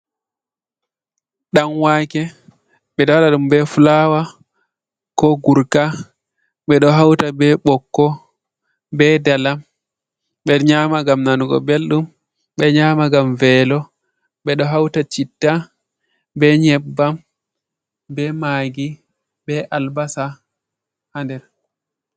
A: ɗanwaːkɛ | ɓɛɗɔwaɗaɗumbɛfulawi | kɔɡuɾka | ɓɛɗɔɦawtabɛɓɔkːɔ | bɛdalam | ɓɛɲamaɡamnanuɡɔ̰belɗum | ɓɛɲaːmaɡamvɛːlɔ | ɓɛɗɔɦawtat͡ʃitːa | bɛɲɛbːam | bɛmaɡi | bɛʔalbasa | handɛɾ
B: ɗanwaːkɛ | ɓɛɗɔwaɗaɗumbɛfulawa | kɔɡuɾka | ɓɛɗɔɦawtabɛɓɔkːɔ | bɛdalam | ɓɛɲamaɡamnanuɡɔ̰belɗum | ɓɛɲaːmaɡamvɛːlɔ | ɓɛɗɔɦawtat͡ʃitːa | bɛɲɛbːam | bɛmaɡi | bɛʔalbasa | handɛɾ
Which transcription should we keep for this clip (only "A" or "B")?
B